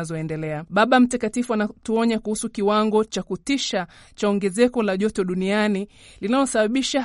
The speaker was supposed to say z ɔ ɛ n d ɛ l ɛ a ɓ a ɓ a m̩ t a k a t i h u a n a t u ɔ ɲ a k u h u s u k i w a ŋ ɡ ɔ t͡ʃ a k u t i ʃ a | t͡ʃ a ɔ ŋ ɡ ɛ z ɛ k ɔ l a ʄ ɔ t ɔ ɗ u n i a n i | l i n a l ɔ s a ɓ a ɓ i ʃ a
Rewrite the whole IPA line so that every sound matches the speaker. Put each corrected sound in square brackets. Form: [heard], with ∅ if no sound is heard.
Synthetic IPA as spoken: z ɔ ɛ n d ɛ l ɛ a ɓ a ɓ a m̩ t a k a t i [f] u a n a t u ɔ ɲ a k u h u s u k i w a ŋ ɡ ɔ t͡ʃ a k u t i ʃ a | t͡ʃ a ɔ ŋ ɡ ɛ z ɛ k ɔ l a ʄ ɔ t ɔ ɗ u n i a n i | l i n a l ɔ s a ɓ a ɓ i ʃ a